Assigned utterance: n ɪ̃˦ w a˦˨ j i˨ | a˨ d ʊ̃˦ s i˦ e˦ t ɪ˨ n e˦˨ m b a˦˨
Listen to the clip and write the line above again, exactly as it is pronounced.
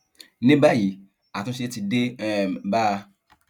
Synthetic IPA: n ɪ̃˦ b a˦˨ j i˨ | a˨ t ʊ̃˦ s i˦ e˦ t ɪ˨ d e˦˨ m b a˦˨

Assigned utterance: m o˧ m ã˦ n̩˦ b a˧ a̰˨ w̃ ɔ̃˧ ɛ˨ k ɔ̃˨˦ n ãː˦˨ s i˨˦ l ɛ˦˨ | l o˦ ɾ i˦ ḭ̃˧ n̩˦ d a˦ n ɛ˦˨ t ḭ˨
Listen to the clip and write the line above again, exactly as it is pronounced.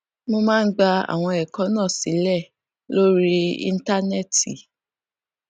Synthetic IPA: m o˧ m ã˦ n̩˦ ɡ͡b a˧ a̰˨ w̃ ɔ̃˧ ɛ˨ k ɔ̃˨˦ n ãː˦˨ s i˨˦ l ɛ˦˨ | l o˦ ɾ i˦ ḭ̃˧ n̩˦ t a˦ n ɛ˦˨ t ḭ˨

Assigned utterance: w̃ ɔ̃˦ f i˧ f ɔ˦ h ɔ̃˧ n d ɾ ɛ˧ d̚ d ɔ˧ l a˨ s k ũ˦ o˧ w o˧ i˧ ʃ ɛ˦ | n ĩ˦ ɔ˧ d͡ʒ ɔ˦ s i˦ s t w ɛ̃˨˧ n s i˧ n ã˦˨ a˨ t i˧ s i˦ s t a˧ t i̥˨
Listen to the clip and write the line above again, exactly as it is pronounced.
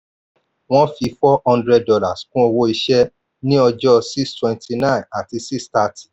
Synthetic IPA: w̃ ɔ̃˦ f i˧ f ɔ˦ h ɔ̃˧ n d ɾ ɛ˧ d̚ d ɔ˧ l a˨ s k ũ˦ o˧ w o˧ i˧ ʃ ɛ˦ | n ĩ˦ ɔ˧ d͡ʒ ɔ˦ s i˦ s t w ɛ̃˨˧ n t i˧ n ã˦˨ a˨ t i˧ s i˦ s t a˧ t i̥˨

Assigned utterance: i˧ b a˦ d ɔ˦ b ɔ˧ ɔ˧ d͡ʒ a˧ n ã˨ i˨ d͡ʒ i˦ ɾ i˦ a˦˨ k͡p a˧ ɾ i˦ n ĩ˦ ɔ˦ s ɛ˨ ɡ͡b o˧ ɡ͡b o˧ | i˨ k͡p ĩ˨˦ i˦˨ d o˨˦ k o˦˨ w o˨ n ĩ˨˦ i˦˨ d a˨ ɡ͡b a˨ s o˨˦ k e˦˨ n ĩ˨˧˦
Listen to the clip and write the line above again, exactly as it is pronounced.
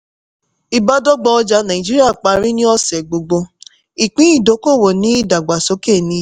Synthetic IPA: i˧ b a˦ d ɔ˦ ɡ͡b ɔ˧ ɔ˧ d͡ʒ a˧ n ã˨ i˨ d͡ʒ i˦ ɾ i˦ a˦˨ k͡p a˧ ɾ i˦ n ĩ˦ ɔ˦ s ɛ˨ ɡ͡b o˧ ɡ͡b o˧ | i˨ k͡p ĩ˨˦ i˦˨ d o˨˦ k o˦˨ w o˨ n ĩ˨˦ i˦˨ d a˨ ɡ͡b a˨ s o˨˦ k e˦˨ n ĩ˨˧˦

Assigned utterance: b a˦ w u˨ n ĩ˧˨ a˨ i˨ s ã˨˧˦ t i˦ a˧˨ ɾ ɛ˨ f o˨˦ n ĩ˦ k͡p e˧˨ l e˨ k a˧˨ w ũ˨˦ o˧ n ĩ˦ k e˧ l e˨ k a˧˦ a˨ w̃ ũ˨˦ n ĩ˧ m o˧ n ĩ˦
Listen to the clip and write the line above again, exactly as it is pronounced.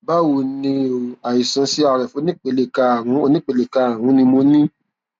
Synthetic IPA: b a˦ w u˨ n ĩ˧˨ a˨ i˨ s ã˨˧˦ s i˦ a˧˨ ɾ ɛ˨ f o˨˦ n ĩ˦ k͡p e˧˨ l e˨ k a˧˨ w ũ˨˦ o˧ n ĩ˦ k͡p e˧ l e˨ k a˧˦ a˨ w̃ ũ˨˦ n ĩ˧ m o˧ n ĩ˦

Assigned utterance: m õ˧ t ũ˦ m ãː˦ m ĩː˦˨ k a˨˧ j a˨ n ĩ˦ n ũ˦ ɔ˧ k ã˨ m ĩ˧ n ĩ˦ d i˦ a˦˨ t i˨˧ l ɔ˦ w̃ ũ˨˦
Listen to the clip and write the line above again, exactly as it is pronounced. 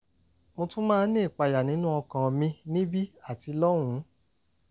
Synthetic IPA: m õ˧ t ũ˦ m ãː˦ n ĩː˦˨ k͡p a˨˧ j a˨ n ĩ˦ n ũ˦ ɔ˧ k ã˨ m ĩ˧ n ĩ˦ b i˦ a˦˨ t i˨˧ l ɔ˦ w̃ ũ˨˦

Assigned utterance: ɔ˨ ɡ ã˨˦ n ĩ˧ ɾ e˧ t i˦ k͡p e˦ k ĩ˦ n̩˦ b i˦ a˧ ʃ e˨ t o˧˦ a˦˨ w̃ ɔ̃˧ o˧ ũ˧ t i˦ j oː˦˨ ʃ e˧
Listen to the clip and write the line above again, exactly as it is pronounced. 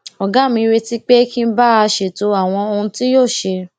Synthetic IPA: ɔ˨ ɡ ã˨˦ m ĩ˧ ɾ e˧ t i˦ k͡p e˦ k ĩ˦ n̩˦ b a˦ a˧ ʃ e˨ t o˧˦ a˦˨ w̃ ɔ̃˧ o˧ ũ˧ t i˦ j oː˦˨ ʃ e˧

